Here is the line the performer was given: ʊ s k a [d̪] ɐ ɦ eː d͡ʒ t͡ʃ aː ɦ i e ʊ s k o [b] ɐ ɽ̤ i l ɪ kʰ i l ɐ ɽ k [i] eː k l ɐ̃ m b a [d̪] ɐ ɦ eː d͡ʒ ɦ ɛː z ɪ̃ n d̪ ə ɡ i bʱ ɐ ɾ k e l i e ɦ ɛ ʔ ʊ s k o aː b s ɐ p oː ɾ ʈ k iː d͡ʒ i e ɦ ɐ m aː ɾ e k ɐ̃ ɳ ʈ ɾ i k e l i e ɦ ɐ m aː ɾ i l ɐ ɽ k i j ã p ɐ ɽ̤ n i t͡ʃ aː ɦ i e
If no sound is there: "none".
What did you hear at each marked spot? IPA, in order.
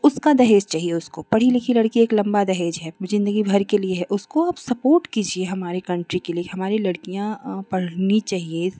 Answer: d̪, p, i, d̪

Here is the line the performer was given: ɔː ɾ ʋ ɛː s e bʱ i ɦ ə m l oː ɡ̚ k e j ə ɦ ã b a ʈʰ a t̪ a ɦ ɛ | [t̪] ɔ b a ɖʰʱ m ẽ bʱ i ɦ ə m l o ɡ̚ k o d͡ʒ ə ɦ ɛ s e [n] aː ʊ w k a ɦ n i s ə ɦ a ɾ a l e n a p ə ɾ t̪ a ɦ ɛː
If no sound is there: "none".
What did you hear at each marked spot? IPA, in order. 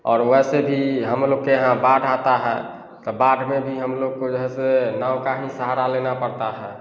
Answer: t̪, n

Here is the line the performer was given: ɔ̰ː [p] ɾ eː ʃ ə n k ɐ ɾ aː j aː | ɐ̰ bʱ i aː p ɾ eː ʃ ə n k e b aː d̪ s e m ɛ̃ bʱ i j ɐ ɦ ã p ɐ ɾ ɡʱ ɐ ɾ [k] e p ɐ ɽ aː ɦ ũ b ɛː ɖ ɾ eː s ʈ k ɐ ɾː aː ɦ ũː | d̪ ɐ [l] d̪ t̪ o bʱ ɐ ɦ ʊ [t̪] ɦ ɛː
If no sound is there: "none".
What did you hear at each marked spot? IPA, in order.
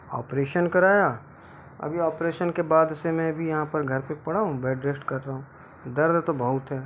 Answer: p, p, ɾ, t̪

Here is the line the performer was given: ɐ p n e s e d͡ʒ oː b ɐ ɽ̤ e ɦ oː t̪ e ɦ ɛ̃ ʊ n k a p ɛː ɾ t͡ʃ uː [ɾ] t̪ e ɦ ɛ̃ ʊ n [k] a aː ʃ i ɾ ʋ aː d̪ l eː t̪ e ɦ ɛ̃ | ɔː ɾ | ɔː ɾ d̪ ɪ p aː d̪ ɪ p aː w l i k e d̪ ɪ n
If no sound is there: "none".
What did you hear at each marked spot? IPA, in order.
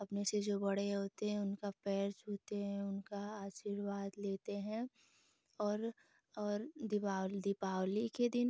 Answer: none, k

